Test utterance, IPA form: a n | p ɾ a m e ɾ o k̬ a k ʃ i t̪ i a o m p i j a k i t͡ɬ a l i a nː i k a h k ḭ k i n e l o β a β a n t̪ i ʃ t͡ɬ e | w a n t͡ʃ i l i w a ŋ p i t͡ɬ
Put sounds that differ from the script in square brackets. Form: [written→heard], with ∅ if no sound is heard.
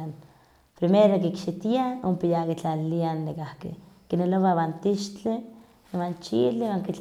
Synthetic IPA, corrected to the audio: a n | p ɾ [a→i] m e ɾ o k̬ [a→i] k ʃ i t̪ i a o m p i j a k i t͡ɬ a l i a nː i k a h k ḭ k i n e l o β a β a n t̪ i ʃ t͡ɬ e | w a n t͡ʃ i l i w a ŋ [p→k] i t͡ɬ